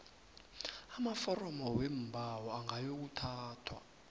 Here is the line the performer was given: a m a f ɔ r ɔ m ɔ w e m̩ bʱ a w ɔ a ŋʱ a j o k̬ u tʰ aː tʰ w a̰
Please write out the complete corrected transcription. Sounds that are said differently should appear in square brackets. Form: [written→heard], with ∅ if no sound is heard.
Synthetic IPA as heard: a m a f ɔ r ɔ m ɔ w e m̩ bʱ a w ɔ a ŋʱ a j o k̬ u tʰ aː tʰ w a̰